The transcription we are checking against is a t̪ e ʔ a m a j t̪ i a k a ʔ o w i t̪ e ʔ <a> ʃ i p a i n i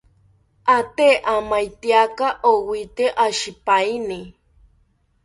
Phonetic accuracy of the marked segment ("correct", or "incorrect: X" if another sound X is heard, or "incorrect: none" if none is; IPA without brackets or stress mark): correct